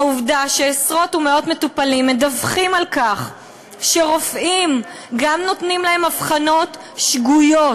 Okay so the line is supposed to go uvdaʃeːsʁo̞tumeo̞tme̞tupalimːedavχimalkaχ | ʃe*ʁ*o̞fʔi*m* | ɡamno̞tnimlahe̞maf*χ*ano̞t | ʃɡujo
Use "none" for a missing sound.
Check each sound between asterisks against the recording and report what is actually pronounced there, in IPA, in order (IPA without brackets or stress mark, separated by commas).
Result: ʁ, m, χ